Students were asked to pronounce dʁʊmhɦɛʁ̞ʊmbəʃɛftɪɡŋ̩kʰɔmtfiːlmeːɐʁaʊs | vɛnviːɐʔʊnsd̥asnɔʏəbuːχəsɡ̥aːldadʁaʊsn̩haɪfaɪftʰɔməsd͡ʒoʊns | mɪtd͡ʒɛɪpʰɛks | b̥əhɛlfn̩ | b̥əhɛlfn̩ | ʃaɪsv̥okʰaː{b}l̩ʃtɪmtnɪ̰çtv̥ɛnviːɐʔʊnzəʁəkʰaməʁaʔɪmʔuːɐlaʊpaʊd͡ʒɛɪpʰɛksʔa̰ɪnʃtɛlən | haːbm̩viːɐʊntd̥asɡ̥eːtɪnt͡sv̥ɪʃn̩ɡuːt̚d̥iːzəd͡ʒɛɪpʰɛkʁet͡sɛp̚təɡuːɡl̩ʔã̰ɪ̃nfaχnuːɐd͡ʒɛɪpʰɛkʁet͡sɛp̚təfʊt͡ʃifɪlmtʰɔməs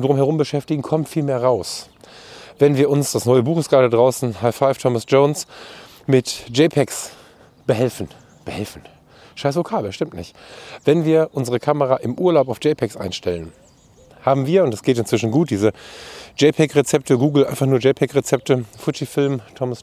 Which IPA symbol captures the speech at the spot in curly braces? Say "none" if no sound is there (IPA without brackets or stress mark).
b